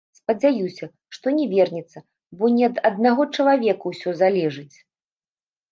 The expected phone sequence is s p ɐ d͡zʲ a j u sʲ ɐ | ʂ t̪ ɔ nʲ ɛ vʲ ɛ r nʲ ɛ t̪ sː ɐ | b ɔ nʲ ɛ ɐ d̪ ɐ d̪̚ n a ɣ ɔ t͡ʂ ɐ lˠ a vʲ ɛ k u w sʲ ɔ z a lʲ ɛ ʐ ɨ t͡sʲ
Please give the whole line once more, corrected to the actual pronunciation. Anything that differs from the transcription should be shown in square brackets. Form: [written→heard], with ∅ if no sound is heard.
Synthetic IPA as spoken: s p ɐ d͡zʲ a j u sʲ ɐ | ʂ t̪ ɔ nʲ ɛ vʲ ɛ r nʲ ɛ t̪ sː ɐ | b ɔ nʲ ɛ ɐ d̪ ɐ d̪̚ n a ɣ ɔ t͡ʂ ɐ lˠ a vʲ ɛ k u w sʲ ɔ z a lʲ ɛ ʐ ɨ t͡sʲ